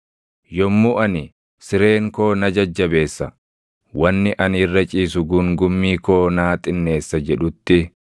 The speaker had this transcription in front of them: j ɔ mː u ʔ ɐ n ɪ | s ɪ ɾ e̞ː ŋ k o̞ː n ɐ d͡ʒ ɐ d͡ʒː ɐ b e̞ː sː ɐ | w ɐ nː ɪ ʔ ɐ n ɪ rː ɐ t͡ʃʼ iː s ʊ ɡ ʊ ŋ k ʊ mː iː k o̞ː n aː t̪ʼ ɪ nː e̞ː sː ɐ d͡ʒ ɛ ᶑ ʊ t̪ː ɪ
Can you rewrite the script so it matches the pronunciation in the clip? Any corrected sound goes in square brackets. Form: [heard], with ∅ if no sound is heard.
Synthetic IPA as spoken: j ɔ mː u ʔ ɐ n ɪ | s ɪ ɾ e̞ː ŋ k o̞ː n ɐ d͡ʒ ɐ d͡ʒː ɐ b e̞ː sː ɐ | w ɐ nː ɪ ʔ ɐ n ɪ rː ɐ t͡ʃʼ iː s ʊ ɡ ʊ ŋ [ɡ] ʊ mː iː k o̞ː n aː t̪ʼ ɪ nː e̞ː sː ɐ d͡ʒ ɛ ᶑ ʊ t̪ː ɪ